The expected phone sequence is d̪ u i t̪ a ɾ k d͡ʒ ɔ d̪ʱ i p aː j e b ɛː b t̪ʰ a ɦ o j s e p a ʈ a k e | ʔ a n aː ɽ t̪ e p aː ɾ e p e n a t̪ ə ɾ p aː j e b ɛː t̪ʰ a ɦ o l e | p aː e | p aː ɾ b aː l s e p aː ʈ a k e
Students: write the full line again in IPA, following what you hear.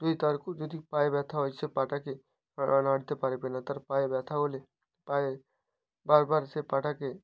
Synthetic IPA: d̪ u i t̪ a ɾ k d͡ʒ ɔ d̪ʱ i p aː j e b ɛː t̪ʰ a ɦ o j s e p a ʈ a k e | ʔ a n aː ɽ t̪ e p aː ɾ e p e n a t̪ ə ɾ p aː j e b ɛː t̪ʰ a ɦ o l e | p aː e | b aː ɾ b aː ɾ s e p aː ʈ a k e